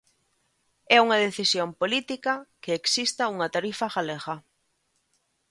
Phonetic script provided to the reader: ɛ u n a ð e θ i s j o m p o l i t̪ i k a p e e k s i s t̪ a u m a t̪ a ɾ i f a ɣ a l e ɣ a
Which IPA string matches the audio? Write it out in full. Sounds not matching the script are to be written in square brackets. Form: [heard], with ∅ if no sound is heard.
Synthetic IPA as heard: ɛ u [ŋ] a ð e θ i s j o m p o l i t̪ i k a [k] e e k s i s t̪ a u [ŋ] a t̪ a ɾ i f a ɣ a l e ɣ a